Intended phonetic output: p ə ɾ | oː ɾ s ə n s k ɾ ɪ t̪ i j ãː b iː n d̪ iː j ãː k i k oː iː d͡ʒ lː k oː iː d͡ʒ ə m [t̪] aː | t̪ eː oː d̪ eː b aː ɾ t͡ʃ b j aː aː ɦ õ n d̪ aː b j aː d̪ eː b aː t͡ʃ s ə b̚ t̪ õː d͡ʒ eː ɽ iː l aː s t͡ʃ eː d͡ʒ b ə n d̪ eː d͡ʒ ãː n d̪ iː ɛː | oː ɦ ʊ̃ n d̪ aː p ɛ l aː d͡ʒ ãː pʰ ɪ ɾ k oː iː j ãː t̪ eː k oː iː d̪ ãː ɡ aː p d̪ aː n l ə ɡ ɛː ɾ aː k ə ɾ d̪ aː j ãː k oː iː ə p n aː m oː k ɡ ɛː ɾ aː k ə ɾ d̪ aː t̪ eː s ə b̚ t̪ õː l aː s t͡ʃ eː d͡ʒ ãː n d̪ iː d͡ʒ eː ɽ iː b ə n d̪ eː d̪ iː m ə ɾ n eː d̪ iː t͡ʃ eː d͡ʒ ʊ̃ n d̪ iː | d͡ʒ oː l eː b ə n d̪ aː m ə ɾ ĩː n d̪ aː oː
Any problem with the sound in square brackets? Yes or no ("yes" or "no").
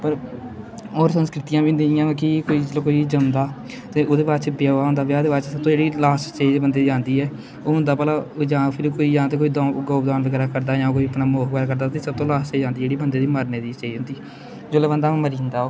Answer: yes